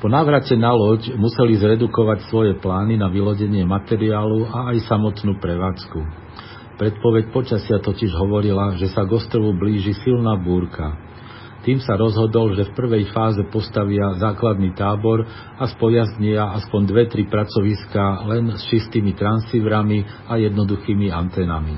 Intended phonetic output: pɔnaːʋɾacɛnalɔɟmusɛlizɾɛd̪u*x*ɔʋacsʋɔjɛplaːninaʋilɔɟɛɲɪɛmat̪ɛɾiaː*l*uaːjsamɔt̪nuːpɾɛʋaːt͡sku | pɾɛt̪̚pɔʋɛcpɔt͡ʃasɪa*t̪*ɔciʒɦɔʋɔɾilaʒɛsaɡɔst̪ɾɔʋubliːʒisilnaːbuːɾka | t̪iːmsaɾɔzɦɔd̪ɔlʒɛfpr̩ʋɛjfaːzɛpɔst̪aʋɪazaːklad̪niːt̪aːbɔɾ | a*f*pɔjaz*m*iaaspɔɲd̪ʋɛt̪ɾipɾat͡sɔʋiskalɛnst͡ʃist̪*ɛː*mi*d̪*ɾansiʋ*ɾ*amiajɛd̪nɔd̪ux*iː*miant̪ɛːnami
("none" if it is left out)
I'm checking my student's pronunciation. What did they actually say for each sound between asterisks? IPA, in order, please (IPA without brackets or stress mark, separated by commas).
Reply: k, l, t̪, s, ɲ, iː, t̪, ɾ, iː